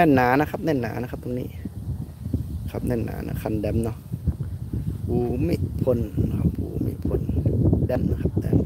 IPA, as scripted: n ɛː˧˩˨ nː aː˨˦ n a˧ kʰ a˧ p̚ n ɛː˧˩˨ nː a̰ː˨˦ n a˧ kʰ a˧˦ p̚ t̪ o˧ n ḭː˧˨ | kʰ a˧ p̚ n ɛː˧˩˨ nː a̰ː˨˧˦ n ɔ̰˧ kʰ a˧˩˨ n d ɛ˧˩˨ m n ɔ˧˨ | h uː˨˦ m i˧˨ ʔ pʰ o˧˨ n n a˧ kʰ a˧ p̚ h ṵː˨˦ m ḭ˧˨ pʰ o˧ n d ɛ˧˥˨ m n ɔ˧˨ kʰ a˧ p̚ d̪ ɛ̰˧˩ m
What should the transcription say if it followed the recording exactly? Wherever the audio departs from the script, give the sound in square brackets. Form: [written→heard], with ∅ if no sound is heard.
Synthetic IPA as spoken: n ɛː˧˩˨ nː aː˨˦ n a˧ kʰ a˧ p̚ n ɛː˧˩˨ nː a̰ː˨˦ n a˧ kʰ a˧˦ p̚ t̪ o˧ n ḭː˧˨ | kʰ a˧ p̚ n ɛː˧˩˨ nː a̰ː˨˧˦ n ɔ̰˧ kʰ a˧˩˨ n d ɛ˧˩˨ m n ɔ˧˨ | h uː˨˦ m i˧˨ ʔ pʰ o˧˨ n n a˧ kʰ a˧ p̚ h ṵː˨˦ m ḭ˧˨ pʰ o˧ n d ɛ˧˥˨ m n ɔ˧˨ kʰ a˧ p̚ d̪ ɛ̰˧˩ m